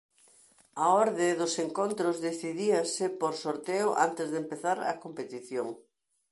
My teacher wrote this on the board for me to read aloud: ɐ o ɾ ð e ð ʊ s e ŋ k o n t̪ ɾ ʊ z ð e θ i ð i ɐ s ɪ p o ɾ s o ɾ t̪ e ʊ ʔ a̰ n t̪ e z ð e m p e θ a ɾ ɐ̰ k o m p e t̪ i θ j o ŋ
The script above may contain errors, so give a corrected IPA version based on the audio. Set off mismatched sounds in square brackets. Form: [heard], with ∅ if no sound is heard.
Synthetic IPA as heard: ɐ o ɾ ð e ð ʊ s e ŋ k o n t̪ ɾ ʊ z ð e θ i ð i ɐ s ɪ p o ɾ s o ɾ t̪ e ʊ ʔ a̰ n t̪ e z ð e m p e θ a ɾ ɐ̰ k o m p e t̪ i θ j o ŋ